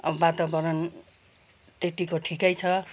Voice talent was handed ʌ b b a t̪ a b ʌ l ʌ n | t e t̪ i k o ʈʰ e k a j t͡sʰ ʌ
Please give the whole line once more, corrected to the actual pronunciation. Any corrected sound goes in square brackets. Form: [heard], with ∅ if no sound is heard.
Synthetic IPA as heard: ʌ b b a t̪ a b ʌ [ɾ] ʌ n | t e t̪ i k o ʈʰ [i] k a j t͡sʰ ʌ